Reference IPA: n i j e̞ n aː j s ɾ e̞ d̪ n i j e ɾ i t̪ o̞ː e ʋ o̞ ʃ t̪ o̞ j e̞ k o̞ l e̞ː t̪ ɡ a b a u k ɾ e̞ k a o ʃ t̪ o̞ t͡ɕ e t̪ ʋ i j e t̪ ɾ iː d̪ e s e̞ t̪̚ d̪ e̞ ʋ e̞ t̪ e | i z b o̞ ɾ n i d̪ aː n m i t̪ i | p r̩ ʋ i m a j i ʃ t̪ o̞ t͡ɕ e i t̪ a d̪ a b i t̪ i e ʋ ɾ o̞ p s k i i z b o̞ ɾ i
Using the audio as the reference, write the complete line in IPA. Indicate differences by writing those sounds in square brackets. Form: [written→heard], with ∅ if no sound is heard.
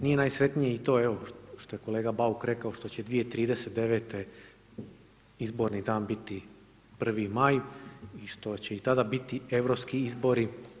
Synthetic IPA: n i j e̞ n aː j s ɾ e̞ [d̪→t̪] n i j e [ɾ→∅] i t̪ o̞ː e ʋ o̞ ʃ t̪ o̞ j e̞ k o̞ l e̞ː [t̪→∅] ɡ a b a u k ɾ e̞ k a o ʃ t̪ o̞ t͡ɕ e [t̪→d̪] ʋ i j e t̪ ɾ iː d̪ e s e̞ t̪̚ d̪ e̞ ʋ e̞ t̪ e | i z b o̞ ɾ n i d̪ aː n [m→b] i t̪ i | p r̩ ʋ i m a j i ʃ t̪ o̞ t͡ɕ e i t̪ a d̪ a b i t̪ i e ʋ ɾ o̞ p s k i i z b o̞ ɾ i

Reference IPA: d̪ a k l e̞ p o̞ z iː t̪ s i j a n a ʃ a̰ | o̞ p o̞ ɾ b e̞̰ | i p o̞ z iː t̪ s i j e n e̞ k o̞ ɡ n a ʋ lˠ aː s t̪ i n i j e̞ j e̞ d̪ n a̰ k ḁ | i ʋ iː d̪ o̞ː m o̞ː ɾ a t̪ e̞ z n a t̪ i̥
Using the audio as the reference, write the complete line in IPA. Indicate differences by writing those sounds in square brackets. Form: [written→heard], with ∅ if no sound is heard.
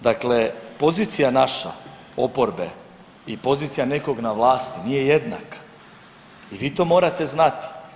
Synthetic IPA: d̪ a k l e̞ p o̞ z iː t̪ s i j a n a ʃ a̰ | o̞ p o̞ ɾ b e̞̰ | i p o̞ z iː t̪ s i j [e→a] n e̞ k o̞ ɡ n a ʋ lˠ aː s t̪ i n i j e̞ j e̞ d̪ n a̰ k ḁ | i ʋ iː [d̪→t̪] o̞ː m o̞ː ɾ a t̪ e̞ z n a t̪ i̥

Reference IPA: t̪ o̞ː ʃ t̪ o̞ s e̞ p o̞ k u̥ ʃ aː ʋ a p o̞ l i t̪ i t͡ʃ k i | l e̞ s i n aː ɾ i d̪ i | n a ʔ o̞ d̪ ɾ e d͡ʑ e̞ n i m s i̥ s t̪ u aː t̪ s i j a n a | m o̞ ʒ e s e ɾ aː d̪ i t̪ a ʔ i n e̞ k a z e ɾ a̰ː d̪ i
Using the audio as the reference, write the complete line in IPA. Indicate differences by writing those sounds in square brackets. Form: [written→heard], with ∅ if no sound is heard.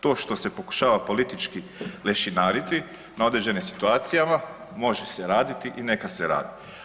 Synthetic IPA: t̪ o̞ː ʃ t̪ o̞ s e̞ p o̞ k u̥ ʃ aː ʋ a p o̞ l i t̪ i t͡ʃ k i | l e̞ [s→ʃ] i n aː ɾ i [d̪→t̪] i | n a [ʔ→∅] o̞ d̪ ɾ e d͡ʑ e̞ n i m s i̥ [s→∅] t̪ u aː t̪ s i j a [n→m] a | m o̞ ʒ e s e ɾ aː d̪ i t̪ [a→i] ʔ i n e̞ k a [z→s] e ɾ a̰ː d̪ i

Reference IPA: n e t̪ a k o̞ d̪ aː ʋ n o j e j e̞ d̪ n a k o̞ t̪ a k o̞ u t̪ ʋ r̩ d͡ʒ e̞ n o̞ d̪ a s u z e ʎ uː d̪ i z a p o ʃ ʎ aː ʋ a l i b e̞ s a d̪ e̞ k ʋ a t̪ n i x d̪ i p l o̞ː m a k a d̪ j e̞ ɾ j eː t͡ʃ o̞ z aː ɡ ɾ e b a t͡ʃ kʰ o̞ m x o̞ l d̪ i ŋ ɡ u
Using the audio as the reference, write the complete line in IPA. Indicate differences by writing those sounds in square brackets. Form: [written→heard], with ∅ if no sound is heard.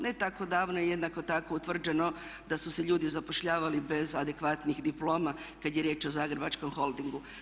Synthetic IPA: n e t̪ a k o̞ d̪ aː ʋ n o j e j e̞ d̪ n a k o̞ t̪ a k o̞ u t̪ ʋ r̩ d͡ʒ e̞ n o̞ d̪ a s u [z→s] e ʎ uː d̪ i z a p o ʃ ʎ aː ʋ a l i b e̞ [s→z] a d̪ e̞ k ʋ a t̪ n i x d̪ i p l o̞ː m a k a d̪ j e̞ ɾ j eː t͡ʃ o̞ z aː ɡ ɾ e b a t͡ʃ [kʰ→k] o̞ m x o̞ l d̪ i ŋ ɡ u

